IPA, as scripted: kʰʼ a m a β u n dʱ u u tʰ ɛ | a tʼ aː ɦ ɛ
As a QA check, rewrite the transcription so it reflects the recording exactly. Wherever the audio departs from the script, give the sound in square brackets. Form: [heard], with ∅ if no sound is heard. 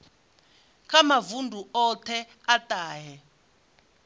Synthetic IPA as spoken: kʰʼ a m a [v] u n dʱ u [ɔ] tʰ ɛ | a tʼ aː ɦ ɛ